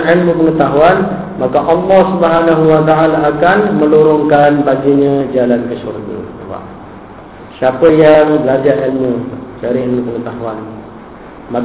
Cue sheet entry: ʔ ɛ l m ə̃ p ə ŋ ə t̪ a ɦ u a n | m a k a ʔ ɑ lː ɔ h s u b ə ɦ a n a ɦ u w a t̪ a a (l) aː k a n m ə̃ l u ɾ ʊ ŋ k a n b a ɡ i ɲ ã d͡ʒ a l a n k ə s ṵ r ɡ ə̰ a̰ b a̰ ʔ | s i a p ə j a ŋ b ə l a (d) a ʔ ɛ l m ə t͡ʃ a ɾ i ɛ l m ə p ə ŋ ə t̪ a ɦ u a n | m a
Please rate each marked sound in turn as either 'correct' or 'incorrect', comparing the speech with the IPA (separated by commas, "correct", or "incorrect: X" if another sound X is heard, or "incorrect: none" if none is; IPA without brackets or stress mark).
correct, incorrect: d͡ʒ